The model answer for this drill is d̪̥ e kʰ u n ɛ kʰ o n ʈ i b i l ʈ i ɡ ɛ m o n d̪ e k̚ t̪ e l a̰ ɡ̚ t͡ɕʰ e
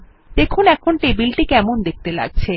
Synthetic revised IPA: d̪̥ e kʰ u n ɛ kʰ o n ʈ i b i l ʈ i k ɛ m o n d̪ e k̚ t̪ e l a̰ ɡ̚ t͡ɕʰ e